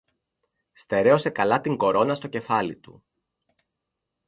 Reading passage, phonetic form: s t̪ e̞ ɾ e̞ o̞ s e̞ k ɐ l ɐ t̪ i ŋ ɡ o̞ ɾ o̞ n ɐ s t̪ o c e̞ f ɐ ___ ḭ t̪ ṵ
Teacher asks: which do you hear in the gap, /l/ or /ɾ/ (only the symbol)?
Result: l